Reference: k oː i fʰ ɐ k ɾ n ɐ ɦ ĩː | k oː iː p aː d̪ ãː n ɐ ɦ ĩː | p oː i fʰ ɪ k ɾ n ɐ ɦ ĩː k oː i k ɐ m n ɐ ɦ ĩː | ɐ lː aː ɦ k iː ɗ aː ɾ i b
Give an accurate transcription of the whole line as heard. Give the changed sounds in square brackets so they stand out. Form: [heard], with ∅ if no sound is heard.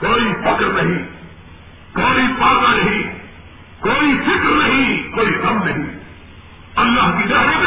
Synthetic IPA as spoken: k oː i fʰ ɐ k ɾ n ɐ ɦ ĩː | k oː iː p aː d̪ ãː n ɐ ɦ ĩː | [k] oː i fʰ ɪ k ɾ n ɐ ɦ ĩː k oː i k ɐ m n ɐ ɦ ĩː | ɐ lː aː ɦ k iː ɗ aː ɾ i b